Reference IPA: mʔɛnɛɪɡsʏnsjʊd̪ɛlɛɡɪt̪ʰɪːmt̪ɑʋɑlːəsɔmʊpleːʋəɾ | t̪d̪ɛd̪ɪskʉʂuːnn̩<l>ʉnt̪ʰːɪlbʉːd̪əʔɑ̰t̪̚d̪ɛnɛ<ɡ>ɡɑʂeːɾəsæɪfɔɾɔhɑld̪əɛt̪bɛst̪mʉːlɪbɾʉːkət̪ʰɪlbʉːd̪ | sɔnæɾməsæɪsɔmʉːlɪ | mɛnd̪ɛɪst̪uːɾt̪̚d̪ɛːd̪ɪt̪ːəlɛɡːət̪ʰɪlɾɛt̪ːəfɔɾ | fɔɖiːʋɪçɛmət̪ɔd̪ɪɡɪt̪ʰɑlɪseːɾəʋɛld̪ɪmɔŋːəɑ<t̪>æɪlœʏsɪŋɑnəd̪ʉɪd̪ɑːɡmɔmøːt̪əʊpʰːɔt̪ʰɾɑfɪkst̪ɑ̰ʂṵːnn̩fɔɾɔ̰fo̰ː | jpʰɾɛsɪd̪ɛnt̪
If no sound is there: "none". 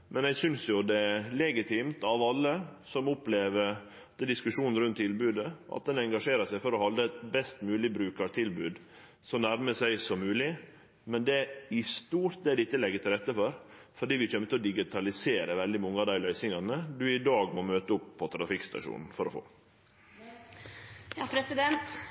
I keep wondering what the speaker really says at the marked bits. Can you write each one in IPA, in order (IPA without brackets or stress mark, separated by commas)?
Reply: ɾ, ŋ, d̪